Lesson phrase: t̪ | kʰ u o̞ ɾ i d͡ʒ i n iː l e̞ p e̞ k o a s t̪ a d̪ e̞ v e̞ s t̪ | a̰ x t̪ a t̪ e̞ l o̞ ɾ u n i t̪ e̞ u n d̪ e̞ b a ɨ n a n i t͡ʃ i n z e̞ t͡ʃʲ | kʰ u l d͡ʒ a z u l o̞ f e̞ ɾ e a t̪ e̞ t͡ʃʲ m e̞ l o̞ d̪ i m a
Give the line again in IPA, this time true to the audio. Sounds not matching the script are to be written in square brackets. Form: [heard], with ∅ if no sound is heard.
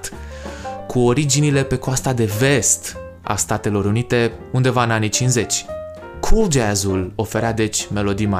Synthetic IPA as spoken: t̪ | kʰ u o̞ ɾ i d͡ʒ i n [i] l e̞ p e̞ k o a s t̪ a d̪ e̞ v e̞ s t̪ | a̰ [s] t̪ a t̪ e̞ l o̞ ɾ u n i t̪ e̞ u n d̪ e̞ [v] a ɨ n a n i t͡ʃ i n z e̞ t͡ʃʲ | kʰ u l d͡ʒ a z u l o̞ f e̞ ɾ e a [d̪] e̞ t͡ʃʲ m e̞ l o̞ d̪ i m a